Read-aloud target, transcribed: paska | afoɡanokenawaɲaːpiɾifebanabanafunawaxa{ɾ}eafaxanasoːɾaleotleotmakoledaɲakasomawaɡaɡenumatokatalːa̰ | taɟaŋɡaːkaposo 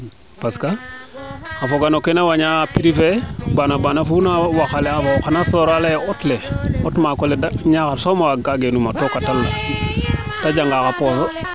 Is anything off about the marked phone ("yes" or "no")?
yes